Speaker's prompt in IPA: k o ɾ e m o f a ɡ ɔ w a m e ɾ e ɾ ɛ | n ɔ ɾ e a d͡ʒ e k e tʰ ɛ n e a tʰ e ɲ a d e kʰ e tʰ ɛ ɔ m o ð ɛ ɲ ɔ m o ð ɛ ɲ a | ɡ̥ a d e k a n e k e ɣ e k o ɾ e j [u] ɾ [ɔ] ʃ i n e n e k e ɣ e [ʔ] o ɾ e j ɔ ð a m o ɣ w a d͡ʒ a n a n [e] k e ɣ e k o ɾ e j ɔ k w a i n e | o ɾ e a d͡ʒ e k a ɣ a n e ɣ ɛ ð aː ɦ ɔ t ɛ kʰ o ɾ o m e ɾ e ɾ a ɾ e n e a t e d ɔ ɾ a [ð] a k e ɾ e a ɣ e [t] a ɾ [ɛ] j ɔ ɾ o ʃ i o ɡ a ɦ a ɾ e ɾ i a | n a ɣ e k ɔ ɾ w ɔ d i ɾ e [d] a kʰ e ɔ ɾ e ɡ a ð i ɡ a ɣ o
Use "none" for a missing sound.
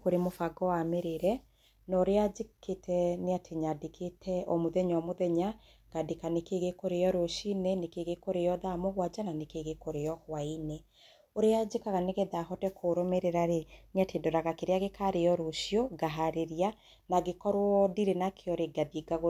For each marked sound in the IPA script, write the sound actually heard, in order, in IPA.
ɔ, o, k, e, ɣ, k, e, n

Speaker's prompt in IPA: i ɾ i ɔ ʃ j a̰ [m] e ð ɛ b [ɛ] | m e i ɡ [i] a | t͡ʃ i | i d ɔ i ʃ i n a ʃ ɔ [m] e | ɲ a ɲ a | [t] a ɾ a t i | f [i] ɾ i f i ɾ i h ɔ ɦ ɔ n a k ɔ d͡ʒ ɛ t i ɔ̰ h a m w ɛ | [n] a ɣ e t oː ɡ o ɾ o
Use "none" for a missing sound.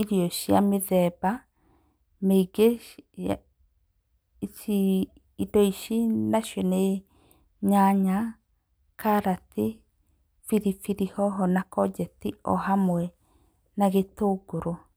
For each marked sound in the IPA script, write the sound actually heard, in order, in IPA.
m, a, e, n, k, i, n

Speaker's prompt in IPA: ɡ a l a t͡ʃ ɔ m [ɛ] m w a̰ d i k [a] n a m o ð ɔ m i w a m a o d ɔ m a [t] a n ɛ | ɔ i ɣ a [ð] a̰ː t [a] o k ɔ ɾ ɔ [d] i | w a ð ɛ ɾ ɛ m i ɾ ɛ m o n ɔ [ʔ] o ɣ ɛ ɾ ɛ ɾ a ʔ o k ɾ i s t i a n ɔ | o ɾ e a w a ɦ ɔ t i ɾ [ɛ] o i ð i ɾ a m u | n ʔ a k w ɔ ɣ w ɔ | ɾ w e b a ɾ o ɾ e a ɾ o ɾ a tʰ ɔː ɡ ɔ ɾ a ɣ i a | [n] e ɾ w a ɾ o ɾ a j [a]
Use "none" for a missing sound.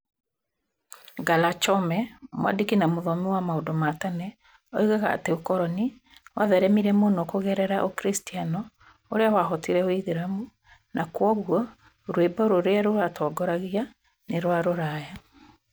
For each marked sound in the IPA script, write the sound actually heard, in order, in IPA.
ɛ, i, t, ɣ, e, n, k, ɛ, n, a

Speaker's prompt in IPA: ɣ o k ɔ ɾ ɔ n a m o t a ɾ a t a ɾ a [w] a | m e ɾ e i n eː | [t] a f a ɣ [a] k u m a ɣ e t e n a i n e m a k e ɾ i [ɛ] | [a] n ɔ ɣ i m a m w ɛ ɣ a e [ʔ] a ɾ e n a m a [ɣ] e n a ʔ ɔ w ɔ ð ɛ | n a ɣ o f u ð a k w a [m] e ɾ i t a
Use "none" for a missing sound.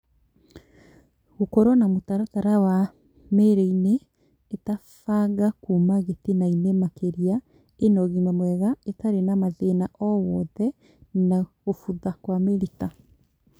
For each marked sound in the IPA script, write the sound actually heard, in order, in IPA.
w, t, a, a, e, t, ð, m

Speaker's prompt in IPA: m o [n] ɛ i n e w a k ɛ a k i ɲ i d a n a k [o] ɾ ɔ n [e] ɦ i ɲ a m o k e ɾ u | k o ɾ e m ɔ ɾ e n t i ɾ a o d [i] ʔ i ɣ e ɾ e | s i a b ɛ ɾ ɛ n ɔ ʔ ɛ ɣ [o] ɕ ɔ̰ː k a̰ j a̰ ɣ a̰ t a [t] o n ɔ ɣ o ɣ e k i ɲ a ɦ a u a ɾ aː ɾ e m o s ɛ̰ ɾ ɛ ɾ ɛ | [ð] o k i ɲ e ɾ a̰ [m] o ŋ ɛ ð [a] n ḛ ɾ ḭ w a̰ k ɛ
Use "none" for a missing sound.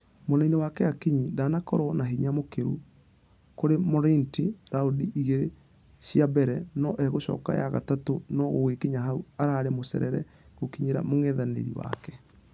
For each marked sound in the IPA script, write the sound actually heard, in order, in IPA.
n, ɔ, a, i, o, t, ɣ, m, a

